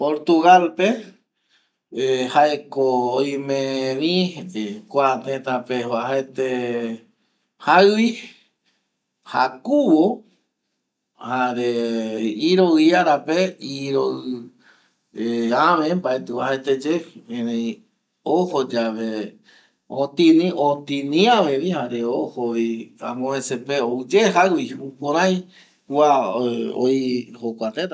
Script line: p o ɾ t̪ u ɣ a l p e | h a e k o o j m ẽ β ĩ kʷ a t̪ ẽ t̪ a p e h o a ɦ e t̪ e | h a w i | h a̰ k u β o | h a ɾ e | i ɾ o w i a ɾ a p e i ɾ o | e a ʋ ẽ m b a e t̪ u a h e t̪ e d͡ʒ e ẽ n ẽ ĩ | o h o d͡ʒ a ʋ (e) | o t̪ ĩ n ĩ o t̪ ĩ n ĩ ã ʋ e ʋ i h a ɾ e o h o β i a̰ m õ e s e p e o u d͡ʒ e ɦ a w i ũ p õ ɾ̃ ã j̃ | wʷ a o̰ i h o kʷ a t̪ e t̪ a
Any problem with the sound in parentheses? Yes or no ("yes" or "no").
no